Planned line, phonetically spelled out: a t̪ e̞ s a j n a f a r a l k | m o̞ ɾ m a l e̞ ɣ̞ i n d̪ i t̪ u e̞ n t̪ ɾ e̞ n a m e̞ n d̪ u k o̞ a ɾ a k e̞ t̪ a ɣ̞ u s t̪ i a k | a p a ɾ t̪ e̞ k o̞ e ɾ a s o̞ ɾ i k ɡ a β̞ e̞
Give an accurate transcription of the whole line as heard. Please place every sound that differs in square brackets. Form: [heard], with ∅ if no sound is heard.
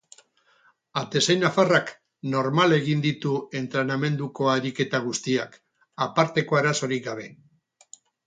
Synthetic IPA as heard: a t̪ e̞ s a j n a f a r a [∅] k | [n] o̞ ɾ m a l e̞ ɣ̞ i n d̪ i t̪ u e̞ n t̪ ɾ e̞ n a m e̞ n d̪ u k o̞ a ɾ [i] k e̞ t̪ a ɣ̞ u s t̪ i a k | a p a ɾ t̪ e̞ k o̞ e ɾ a s o̞ ɾ i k ɡ a β̞ e̞